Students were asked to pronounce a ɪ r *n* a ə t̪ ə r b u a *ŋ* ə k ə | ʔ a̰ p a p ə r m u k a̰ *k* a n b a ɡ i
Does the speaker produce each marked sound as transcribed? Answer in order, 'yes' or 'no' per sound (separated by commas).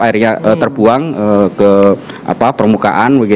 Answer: no, yes, no